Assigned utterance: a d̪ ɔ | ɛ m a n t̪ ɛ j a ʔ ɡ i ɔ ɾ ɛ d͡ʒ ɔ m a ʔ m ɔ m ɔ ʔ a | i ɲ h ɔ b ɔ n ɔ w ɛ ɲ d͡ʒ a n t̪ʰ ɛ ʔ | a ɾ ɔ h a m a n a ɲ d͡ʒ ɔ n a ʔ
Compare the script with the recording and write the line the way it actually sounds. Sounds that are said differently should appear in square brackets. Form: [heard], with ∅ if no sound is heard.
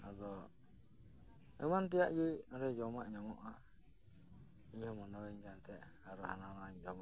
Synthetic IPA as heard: a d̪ ɔ | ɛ m a n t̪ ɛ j a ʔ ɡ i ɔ ɾ ɛ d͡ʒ ɔ m a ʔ [ɲ] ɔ m ɔ ʔ a | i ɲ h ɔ [m] ɔ n ɔ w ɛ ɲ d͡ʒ a n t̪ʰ ɛ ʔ | a ɾ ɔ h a [n] a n a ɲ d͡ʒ ɔ [m] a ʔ